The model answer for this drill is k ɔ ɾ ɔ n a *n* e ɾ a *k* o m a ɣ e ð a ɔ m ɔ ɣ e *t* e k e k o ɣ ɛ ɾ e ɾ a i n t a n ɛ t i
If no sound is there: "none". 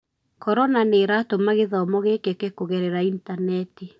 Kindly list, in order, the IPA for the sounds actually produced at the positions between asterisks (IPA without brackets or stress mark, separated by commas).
n, t, k